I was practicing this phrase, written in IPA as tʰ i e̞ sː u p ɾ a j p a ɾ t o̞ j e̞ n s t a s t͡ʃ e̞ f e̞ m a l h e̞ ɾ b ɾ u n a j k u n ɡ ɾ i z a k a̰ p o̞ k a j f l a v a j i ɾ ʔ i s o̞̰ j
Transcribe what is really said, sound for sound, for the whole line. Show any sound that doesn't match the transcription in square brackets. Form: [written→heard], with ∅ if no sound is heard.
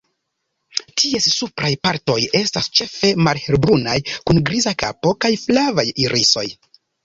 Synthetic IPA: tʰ i e̞ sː u p ɾ a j p a ɾ t o̞ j e̞ [n→∅] s t a s t͡ʃ e̞ f e̞ m a l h e̞ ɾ b ɾ u n a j k u n ɡ ɾ i z a k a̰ p o̞ k a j f l a v a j i ɾ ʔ i s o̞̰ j